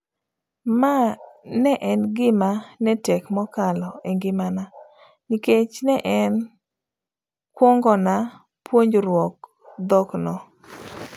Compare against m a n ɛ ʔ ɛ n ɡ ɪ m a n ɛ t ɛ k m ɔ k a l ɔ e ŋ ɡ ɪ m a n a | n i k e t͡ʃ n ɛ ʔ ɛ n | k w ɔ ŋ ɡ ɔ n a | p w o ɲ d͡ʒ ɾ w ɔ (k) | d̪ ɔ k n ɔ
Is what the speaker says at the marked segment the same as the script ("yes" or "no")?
yes